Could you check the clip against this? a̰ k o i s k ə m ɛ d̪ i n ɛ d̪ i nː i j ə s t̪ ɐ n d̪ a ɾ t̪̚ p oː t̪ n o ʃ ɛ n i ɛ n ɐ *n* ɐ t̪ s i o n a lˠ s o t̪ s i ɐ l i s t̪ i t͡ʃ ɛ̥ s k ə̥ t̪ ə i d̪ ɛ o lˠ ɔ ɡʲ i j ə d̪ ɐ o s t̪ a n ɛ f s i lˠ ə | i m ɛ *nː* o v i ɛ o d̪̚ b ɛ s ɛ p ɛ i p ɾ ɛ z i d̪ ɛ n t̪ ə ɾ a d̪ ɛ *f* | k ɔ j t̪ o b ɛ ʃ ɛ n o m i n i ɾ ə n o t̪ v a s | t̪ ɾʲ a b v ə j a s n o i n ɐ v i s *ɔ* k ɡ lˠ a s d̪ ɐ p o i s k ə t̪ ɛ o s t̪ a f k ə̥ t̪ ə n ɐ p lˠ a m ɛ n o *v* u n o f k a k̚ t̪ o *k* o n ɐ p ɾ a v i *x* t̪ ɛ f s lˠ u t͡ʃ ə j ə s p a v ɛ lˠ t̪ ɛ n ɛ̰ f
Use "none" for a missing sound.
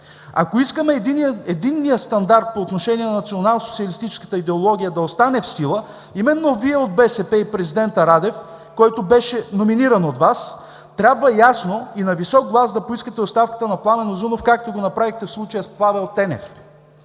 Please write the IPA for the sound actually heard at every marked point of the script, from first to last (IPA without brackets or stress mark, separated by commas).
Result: n, nː, f, ɔ, z, ɡ, x